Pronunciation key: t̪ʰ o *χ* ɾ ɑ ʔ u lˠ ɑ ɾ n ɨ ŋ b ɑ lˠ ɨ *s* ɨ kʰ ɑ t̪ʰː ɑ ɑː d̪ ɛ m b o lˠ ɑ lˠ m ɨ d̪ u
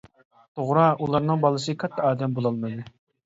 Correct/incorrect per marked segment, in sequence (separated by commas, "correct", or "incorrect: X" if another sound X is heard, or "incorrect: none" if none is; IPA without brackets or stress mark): incorrect: ʁ, correct